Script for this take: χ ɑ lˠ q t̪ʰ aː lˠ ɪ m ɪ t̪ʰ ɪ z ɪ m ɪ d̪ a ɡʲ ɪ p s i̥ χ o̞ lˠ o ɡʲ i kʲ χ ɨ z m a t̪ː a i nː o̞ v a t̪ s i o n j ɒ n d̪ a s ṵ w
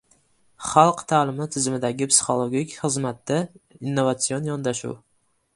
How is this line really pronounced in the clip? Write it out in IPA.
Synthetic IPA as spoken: χ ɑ lˠ q t̪ʰ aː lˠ ɪ m ɪ t̪ʰ ɪ z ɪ m ɪ d̪ a ɡʲ ɪ p s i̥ χ o̞ lˠ o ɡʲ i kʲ χ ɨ z m a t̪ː a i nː o̞ v a t̪ s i o n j ɒ n d̪ a ʃ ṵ w